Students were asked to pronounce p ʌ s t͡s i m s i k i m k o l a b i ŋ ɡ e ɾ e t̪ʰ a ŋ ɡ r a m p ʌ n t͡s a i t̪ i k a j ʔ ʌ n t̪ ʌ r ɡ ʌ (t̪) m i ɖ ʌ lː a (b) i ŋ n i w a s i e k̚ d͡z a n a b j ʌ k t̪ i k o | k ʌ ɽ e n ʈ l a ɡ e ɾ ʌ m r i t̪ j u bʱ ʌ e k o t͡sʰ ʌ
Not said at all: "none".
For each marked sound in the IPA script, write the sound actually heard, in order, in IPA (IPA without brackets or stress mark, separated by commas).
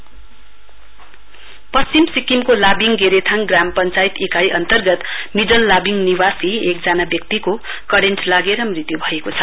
t̪, b